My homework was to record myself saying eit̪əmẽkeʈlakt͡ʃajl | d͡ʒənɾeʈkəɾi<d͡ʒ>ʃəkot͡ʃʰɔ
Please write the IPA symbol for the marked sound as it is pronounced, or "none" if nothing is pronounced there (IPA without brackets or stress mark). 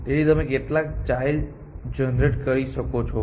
none